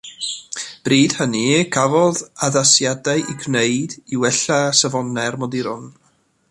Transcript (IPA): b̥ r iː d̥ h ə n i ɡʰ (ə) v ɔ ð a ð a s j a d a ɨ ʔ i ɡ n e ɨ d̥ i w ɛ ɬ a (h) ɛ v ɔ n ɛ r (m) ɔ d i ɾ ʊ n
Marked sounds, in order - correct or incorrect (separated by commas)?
incorrect, incorrect, correct